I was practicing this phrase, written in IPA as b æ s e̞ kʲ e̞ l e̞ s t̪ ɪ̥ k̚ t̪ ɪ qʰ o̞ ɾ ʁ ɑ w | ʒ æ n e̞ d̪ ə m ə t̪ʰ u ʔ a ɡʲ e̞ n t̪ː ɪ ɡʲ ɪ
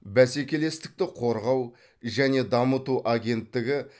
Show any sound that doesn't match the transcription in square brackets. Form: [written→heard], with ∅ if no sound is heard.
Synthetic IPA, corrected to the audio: b æ s e̞ kʲ e̞ l e̞ s t̪ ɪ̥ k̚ t̪ ɪ qʰ o̞ ɾ ʁ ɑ w | ʒ æ n e̞ d̪ [ə→ɑ] m ə [t̪ʰ→t̪] u ʔ a ɡʲ e̞ n t̪ː ɪ ɡʲ ɪ